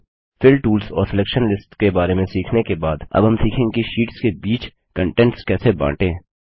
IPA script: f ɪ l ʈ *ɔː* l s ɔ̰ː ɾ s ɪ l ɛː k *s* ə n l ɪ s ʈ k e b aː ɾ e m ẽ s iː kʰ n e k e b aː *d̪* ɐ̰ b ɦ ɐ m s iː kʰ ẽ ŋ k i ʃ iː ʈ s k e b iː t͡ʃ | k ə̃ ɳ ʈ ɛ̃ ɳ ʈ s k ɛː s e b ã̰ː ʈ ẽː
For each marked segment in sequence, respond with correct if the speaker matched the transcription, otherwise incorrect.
incorrect: uː, incorrect: ʃ, correct

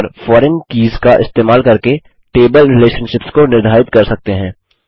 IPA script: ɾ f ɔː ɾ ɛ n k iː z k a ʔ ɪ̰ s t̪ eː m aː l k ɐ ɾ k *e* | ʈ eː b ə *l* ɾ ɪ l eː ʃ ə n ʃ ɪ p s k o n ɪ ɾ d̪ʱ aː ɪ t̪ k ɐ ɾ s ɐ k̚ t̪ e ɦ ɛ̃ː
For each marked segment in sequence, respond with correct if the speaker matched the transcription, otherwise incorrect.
correct, correct

